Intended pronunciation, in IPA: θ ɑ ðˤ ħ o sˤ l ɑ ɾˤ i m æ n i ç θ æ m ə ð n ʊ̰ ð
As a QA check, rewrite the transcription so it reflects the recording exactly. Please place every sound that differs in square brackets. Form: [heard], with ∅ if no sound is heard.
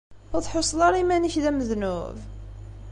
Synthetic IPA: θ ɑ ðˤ ħ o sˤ l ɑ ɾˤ i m æ n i ç [ð] æ m ə ð n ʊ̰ [v]